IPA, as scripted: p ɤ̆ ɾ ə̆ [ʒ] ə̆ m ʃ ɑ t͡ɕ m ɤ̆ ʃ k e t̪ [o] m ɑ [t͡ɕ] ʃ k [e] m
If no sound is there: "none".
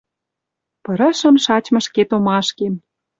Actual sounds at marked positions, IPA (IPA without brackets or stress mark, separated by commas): ʃ, o, none, e